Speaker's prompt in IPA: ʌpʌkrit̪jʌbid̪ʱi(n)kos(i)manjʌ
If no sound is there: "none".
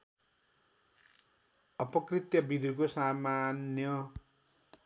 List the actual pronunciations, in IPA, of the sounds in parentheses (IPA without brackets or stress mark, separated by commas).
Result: none, a